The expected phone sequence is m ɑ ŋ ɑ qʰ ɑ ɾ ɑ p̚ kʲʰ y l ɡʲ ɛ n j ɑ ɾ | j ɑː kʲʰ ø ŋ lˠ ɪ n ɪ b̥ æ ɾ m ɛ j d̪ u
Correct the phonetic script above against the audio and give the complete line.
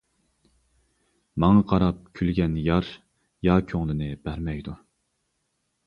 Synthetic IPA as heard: m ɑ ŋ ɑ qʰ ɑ ɾ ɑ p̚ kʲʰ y l ɡʲ ɛ n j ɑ ɾ | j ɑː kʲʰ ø ŋ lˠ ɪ n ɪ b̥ æ ɾ m ɛ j d̪ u